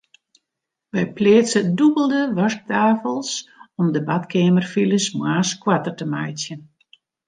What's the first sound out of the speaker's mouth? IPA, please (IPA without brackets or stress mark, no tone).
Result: ʋ